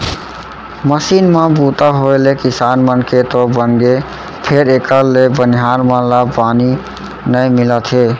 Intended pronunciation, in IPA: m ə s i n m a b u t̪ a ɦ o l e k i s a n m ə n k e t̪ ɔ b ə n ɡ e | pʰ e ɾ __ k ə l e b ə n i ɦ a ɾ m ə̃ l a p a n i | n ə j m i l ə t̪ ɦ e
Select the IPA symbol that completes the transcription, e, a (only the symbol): e